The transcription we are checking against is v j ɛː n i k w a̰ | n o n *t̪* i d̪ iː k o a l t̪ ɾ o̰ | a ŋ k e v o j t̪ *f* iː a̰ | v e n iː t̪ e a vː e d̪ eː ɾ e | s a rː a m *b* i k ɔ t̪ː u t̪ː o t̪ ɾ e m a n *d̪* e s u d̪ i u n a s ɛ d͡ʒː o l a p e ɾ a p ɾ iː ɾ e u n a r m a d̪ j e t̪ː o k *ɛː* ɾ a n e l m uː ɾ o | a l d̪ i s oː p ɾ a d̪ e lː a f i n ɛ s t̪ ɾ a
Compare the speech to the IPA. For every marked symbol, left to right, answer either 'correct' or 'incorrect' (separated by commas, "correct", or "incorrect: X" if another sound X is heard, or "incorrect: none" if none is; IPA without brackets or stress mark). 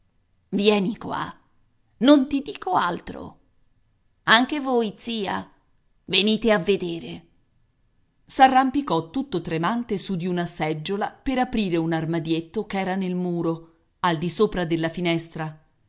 correct, incorrect: s, incorrect: p, incorrect: t̪, correct